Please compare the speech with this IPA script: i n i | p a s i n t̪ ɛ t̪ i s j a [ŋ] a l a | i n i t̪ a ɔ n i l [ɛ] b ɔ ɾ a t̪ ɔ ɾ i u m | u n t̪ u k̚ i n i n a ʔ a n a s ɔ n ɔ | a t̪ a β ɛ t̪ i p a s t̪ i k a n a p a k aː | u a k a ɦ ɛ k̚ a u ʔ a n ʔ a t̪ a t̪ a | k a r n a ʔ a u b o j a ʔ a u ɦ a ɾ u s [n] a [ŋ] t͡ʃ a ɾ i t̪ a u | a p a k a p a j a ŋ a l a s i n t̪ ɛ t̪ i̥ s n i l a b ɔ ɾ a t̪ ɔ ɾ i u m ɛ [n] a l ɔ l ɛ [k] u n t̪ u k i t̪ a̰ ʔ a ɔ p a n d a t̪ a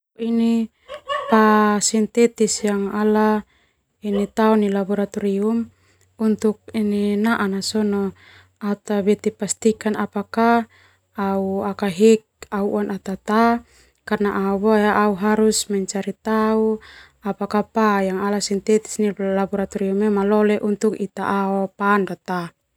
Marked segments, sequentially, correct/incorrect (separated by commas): correct, incorrect, incorrect, incorrect, incorrect, incorrect